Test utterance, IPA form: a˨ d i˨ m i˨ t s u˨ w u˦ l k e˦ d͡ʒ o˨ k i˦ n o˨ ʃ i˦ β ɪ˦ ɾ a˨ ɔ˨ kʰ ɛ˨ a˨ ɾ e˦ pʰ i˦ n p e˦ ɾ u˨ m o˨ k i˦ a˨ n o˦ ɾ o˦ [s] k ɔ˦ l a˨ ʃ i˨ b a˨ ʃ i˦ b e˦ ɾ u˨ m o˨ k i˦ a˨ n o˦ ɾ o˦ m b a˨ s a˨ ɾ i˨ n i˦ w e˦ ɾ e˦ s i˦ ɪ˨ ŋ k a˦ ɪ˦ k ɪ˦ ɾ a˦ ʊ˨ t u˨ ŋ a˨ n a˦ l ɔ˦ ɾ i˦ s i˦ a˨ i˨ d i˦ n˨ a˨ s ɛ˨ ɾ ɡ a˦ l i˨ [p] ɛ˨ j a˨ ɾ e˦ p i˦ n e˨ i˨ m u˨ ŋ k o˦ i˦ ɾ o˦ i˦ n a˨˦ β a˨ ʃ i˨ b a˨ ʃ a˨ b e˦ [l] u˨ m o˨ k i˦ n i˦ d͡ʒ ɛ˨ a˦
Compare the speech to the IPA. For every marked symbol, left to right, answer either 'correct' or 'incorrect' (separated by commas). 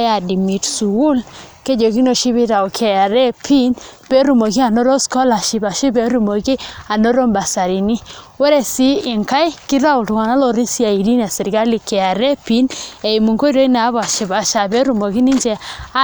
correct, incorrect, incorrect